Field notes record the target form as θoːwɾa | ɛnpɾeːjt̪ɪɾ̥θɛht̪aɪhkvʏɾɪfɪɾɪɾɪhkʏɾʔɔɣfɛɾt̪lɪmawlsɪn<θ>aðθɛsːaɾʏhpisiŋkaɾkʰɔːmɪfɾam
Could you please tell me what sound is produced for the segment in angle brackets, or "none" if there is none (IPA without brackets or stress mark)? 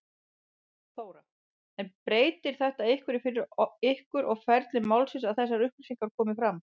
s